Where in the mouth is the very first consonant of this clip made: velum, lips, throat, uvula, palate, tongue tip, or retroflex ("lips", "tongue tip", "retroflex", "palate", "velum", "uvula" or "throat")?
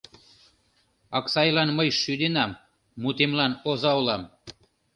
velum